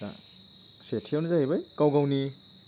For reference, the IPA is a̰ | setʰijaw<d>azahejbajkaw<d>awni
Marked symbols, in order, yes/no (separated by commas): no, no